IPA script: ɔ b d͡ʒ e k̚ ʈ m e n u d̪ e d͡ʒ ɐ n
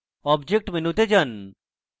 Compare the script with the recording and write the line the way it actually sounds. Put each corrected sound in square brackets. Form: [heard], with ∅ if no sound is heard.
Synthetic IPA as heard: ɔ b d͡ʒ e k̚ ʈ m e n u [t̪] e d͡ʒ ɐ n

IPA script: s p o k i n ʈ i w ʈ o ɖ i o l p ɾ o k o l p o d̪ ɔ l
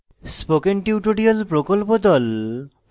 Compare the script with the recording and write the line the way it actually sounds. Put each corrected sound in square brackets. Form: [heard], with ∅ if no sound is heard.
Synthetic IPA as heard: s p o k [e] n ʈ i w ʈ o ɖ i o l p ɾ o k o l p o d̪ ɔ l

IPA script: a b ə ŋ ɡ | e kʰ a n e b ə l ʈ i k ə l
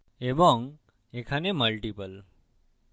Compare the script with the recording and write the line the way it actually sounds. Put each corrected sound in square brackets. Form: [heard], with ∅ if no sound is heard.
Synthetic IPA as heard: [e] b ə ŋ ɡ | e kʰ a n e [m] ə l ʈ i [p] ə l

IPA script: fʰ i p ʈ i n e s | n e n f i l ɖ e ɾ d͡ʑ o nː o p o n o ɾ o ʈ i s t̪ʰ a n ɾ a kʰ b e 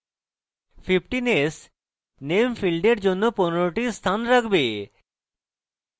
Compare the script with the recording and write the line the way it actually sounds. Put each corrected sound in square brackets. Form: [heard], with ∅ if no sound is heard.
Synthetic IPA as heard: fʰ i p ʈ i n e s | n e [m] f i l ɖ e ɾ d͡ʑ o nː o p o n o ɾ o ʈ i s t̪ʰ a n ɾ a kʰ b e

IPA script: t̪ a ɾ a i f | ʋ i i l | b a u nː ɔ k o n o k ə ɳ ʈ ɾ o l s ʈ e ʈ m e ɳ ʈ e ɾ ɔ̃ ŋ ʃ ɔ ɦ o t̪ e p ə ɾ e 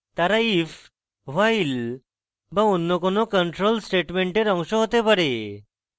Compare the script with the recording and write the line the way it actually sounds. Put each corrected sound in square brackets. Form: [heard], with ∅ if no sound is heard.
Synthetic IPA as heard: t̪ a ɾ a i f | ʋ [a] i l | b a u nː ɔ k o n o k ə ɳ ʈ ɾ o l s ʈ e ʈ m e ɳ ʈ e ɾ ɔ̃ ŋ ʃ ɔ ɦ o t̪ e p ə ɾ e

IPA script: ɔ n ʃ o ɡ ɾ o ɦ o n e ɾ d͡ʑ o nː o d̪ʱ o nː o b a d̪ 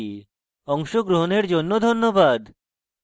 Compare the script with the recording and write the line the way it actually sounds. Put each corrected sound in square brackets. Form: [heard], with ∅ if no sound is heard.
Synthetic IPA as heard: ɔ [ŋ] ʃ o ɡ ɾ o ɦ o n e ɾ d͡ʑ o nː o d̪ʱ o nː o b a d̪

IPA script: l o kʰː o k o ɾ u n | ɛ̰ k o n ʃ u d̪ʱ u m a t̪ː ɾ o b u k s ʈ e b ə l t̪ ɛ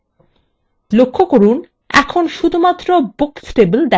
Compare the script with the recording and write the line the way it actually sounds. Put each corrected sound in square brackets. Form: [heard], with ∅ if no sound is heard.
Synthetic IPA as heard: l o kʰː o k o ɾ u n | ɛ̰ [kʰ] o n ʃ u d̪ʱ u m a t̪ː ɾ o b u k s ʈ e b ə l [d̪] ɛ

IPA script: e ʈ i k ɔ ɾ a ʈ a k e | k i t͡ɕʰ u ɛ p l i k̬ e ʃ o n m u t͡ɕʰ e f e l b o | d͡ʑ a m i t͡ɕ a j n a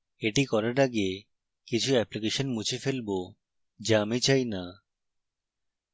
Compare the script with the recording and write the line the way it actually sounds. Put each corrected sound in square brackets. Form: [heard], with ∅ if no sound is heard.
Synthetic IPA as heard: e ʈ i k ɔ ɾ a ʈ a [ɡ] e | k i t͡ɕʰ u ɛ p l i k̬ e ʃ o n m u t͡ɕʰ e f e l b o | d͡ʑ a m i t͡ɕ a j n a

